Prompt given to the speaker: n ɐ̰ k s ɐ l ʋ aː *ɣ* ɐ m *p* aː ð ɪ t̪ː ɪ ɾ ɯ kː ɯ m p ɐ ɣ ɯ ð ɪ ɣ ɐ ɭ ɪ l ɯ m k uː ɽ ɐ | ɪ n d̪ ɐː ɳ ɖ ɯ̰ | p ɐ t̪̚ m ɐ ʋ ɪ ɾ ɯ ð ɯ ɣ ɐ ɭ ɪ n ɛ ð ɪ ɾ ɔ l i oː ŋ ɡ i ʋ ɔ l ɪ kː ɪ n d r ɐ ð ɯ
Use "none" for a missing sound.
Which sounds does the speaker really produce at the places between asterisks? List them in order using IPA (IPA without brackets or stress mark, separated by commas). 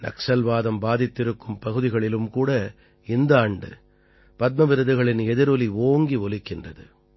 ð, b